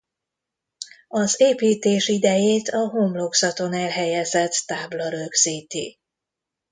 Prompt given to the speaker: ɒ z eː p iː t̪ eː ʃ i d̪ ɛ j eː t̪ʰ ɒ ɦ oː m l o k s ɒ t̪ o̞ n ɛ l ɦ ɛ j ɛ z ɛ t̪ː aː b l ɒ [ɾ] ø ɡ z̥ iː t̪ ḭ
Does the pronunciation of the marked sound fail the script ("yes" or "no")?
no